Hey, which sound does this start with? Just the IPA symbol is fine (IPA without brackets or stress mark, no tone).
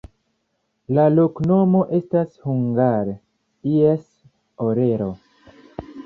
l